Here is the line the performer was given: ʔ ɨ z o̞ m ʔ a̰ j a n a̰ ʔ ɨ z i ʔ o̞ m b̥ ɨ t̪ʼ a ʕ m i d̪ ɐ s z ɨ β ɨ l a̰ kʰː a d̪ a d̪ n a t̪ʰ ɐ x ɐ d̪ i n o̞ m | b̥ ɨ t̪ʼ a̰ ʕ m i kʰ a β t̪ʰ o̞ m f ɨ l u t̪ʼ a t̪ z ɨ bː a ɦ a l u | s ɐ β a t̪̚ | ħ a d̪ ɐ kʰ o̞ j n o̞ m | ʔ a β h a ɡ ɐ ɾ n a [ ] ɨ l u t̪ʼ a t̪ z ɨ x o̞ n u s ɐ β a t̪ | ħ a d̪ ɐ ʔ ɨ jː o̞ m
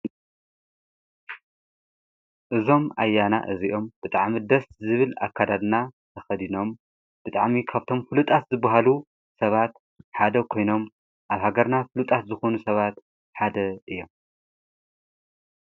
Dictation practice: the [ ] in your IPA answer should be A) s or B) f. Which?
B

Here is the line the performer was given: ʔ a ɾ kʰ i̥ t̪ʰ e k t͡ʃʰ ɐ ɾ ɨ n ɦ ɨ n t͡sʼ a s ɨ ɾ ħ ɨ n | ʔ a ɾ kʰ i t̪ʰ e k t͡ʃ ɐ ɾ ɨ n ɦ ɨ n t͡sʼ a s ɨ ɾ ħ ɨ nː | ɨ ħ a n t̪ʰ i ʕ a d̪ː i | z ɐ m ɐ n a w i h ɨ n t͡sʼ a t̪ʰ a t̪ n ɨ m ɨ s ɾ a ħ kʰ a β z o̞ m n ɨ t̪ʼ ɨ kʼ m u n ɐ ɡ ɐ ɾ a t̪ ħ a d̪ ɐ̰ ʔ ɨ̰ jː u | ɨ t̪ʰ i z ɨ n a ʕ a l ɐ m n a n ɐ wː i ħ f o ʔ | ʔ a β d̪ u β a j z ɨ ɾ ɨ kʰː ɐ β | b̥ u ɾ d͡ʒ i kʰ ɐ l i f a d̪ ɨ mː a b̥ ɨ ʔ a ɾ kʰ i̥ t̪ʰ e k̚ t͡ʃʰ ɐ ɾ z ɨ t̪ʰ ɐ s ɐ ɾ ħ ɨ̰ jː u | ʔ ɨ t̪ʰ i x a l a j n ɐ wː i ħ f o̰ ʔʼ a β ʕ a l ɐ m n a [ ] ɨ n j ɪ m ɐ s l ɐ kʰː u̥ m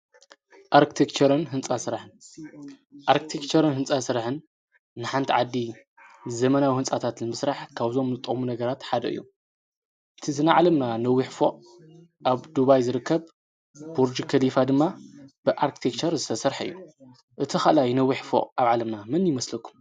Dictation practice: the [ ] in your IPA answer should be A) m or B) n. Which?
A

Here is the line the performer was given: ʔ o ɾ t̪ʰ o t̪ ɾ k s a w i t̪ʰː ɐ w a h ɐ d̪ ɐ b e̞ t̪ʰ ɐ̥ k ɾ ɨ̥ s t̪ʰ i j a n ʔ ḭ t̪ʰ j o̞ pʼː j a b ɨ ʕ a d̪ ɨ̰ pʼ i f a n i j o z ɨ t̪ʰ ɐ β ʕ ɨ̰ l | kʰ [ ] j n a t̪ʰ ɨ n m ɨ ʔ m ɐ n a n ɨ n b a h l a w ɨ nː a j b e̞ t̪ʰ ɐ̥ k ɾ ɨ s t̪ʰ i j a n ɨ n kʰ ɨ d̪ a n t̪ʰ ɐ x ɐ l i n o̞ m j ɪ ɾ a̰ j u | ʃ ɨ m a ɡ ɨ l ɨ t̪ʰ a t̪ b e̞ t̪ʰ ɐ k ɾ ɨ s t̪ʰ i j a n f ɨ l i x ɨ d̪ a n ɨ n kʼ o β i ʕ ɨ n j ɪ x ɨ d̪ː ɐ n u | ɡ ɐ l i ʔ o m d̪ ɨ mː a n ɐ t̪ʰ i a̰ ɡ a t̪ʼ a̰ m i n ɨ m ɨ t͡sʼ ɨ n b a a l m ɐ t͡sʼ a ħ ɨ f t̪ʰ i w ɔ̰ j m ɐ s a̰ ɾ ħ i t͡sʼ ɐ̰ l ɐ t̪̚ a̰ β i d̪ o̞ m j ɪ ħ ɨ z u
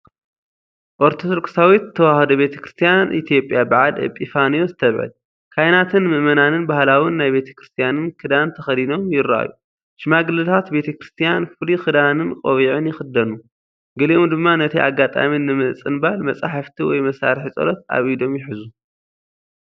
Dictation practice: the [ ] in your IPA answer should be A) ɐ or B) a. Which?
B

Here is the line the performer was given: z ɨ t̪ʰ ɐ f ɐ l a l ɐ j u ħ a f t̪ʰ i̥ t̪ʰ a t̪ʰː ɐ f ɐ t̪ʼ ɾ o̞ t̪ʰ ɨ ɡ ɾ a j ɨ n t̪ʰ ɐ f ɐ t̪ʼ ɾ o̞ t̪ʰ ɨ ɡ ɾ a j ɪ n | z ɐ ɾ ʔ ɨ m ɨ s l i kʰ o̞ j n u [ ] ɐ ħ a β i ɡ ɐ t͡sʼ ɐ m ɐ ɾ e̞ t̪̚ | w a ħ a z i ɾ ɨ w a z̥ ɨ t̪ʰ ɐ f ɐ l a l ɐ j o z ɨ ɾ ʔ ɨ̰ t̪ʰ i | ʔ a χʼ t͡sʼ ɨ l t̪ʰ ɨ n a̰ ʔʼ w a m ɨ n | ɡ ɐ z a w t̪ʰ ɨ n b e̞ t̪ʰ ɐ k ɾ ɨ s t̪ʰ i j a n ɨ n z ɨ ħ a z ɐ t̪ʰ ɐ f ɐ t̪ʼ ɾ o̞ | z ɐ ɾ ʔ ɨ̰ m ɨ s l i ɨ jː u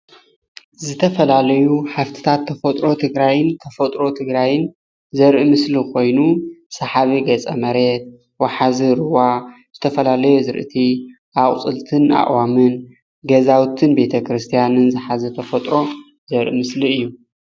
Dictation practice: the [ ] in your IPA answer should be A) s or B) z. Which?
A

